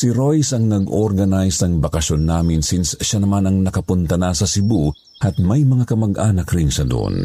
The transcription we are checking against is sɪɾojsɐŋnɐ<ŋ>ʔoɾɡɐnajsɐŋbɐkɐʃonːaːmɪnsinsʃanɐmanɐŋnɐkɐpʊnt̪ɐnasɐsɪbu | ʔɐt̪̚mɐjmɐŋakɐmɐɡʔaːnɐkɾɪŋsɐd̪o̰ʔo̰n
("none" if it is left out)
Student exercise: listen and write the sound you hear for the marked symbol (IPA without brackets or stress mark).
ɡ